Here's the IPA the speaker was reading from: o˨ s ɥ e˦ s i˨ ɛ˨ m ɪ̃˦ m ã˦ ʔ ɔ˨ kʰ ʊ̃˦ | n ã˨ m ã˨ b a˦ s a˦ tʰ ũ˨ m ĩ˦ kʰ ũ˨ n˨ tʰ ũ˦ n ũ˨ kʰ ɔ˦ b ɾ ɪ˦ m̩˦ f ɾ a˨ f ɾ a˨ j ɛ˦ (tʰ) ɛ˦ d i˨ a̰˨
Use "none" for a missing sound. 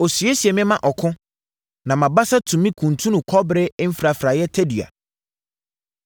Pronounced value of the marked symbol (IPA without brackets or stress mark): tʰ